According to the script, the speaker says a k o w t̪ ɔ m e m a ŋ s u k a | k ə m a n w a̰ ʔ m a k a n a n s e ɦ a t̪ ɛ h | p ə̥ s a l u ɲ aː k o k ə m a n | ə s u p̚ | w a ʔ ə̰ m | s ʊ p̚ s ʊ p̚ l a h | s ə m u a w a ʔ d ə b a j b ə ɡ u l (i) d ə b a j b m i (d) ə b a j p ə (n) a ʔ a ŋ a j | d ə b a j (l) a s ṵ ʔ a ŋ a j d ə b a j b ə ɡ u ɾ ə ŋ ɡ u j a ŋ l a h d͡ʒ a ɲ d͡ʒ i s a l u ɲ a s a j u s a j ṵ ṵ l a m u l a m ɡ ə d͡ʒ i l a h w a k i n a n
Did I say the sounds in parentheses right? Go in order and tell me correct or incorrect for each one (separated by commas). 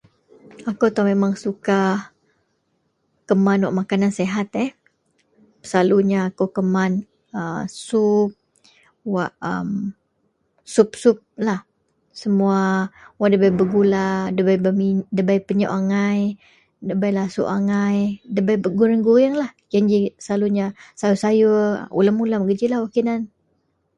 incorrect, correct, incorrect, correct